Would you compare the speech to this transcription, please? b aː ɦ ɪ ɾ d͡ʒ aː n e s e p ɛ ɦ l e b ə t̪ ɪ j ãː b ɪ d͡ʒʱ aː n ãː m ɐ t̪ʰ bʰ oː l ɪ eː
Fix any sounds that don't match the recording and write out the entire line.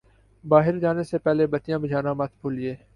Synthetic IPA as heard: b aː ɦ ɪ ɾ d͡ʒ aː n e s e p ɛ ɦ l e b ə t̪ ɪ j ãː b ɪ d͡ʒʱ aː n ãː m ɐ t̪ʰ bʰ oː l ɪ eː